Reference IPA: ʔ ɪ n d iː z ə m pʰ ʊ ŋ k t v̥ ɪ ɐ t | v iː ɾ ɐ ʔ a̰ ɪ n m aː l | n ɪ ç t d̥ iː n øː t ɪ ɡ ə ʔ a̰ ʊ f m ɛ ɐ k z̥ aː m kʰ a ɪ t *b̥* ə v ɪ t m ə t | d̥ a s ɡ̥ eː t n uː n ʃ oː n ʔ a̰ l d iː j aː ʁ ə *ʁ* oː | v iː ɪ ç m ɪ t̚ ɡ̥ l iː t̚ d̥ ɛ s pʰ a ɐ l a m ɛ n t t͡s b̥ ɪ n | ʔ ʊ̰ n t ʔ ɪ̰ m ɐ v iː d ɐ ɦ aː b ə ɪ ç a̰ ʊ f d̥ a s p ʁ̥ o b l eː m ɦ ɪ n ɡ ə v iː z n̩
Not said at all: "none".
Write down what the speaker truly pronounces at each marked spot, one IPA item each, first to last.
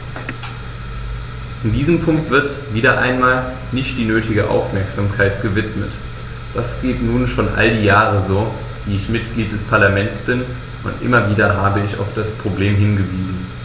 ɡ̥, z

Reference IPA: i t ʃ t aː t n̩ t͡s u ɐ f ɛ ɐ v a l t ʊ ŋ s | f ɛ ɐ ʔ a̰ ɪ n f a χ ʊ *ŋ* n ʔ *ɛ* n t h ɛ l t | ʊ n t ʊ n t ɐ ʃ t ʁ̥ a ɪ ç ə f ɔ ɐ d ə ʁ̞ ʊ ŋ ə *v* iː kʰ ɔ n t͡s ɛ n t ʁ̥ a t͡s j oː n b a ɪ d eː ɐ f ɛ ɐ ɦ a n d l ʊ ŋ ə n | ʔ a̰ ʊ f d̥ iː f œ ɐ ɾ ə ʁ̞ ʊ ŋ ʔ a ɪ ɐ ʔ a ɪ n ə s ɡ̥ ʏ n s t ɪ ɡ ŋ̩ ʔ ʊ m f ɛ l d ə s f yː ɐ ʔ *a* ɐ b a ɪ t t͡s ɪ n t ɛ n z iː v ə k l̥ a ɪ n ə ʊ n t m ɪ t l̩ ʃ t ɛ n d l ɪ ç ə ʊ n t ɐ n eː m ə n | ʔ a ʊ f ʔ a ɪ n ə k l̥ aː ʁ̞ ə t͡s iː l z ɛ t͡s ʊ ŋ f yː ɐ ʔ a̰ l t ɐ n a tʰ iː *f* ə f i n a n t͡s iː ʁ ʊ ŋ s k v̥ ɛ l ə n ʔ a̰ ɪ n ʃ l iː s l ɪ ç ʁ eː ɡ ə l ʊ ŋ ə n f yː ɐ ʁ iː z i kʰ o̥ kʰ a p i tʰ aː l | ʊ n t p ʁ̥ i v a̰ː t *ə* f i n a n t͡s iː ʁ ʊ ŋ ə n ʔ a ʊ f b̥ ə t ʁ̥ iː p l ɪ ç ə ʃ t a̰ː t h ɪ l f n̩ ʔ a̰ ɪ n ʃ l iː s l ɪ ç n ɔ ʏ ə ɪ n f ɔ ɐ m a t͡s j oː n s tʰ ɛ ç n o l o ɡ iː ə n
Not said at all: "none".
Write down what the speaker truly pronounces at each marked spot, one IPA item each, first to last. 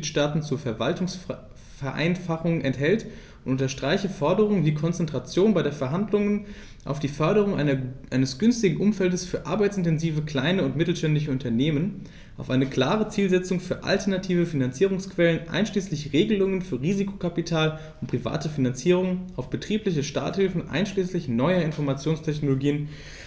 ŋ, ɛ, v, a, v, ə

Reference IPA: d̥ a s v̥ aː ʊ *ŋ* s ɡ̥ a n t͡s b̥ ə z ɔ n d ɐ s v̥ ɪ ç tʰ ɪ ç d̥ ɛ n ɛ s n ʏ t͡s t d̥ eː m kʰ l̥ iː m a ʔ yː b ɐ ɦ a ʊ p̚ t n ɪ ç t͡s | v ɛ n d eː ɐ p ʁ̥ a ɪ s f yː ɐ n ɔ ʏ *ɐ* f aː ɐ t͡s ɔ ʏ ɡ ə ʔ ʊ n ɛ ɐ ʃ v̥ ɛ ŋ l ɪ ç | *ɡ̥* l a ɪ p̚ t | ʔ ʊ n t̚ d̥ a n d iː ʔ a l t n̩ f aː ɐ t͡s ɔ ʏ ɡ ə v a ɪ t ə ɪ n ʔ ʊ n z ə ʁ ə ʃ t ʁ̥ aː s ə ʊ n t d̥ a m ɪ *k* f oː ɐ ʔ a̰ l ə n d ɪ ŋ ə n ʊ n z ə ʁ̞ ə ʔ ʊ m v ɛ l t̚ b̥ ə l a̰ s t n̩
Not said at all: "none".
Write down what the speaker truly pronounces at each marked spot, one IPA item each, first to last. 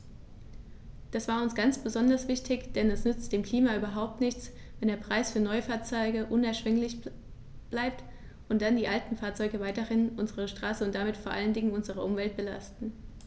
n, ə, b̥, t

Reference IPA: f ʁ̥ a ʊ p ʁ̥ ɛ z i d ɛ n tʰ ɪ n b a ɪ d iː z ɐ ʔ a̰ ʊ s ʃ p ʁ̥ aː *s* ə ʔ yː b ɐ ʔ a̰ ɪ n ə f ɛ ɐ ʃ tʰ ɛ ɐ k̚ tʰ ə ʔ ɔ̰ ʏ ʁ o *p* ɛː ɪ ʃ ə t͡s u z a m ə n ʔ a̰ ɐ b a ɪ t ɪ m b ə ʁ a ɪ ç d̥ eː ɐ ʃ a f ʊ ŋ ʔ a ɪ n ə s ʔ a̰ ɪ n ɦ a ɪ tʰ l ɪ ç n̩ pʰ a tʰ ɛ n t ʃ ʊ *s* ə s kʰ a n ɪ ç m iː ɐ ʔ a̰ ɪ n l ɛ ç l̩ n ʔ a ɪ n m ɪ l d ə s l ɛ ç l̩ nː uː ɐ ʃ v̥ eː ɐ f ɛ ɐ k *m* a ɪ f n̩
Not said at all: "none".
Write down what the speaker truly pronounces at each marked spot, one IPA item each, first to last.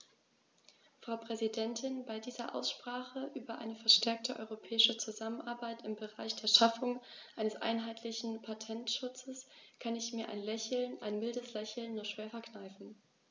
χ, pʰ, t͡s, n

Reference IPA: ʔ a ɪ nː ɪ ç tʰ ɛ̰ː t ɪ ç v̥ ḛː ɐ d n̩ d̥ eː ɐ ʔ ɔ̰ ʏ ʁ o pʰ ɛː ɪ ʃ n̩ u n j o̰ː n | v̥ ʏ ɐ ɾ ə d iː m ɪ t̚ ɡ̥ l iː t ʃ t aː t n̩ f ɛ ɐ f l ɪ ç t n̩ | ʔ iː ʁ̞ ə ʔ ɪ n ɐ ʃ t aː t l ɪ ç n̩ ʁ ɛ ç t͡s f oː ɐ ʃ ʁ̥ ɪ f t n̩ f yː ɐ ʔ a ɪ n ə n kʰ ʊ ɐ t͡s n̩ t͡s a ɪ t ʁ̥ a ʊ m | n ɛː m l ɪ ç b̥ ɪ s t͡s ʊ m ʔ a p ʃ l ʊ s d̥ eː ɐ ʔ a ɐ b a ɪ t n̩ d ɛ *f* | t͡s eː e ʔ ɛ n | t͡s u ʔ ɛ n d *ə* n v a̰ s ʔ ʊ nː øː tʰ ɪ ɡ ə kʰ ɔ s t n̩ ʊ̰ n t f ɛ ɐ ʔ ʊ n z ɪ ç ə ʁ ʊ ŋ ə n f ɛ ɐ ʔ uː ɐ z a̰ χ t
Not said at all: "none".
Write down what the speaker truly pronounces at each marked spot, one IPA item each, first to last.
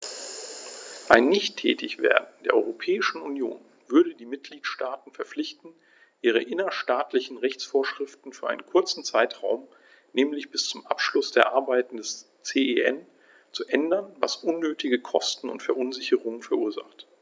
s, ɐ

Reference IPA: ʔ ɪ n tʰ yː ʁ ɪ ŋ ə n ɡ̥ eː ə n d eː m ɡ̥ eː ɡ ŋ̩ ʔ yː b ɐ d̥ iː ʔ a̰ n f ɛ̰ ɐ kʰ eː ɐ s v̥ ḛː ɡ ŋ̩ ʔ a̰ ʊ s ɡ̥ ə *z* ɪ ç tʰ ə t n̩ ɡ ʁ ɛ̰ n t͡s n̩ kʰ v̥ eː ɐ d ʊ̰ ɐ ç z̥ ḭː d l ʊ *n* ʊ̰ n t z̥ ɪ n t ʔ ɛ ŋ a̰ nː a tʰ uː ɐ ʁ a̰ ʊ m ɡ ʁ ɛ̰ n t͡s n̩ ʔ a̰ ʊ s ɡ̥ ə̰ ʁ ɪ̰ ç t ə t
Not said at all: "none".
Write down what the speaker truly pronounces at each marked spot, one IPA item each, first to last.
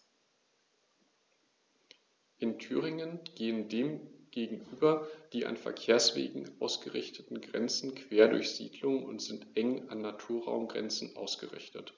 ʁ, ŋ

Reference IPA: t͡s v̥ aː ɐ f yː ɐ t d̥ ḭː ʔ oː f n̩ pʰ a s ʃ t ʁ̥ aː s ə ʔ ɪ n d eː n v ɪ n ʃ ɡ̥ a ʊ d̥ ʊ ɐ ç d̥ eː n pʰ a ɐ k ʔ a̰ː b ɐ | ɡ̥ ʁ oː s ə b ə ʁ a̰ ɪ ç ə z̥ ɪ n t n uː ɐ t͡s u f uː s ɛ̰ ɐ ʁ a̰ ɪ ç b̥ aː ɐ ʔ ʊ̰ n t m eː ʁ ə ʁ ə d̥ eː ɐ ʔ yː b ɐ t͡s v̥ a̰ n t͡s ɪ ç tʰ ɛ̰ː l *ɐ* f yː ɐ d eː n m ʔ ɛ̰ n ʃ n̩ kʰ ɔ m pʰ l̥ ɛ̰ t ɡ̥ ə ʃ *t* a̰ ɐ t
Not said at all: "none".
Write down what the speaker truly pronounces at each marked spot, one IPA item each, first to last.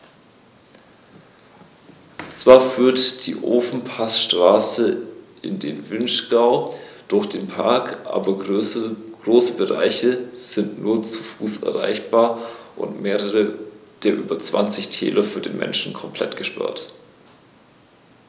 ɐ, p

